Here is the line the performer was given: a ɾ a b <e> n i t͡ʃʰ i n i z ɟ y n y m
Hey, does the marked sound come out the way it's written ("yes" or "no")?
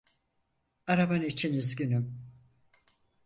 no